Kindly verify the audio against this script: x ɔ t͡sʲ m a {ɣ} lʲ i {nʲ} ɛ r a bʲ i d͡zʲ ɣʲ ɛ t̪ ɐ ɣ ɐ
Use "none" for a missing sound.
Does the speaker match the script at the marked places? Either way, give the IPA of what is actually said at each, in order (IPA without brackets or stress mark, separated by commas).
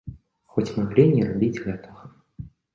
ɣ, nʲ